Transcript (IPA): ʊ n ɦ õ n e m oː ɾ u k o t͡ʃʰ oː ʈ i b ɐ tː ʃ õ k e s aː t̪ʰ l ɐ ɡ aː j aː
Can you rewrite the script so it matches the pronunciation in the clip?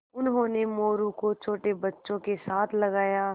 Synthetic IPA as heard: ʊ n ɦ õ n e m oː ɾ u k o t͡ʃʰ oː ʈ e b ɐ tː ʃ õ k e s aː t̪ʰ l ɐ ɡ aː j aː